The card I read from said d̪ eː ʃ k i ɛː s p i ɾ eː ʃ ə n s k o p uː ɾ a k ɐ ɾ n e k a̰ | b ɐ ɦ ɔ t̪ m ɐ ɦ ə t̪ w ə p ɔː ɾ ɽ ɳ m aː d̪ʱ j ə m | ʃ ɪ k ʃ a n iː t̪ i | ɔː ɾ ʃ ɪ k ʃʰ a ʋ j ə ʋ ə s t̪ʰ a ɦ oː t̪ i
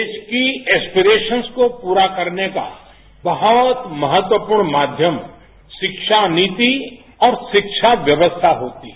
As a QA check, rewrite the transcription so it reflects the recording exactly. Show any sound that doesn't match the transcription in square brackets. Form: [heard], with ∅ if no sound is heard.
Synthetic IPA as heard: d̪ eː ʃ k i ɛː s p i ɾ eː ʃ ə n s k o p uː ɾ a k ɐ ɾ n e k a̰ | b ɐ ɦ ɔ t̪ m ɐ ɦ ə t̪ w ə p [uː] ɾ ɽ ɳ m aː d̪ʱ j ə m | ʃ ɪ k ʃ a n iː t̪ i | ɔː ɾ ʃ ɪ k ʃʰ a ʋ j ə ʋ ə s t̪ʰ a ɦ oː t̪ i